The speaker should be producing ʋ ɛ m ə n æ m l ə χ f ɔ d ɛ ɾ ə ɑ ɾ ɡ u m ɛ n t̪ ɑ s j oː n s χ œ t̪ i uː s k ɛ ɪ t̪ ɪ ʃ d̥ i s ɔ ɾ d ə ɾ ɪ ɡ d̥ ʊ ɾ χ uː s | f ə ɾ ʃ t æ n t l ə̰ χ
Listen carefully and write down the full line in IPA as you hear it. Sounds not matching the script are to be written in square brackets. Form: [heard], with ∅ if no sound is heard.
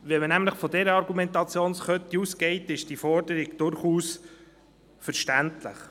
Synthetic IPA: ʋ ɛ m ə n æ m l ə χ f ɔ d ɛ ɾ ə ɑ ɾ ɡ u m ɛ n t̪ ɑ [t͡s] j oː n s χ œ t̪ i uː s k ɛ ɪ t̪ ɪ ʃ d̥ i [f] ɔ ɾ d ə ɾ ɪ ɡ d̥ ʊ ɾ χ uː s | f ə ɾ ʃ t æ n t l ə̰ χ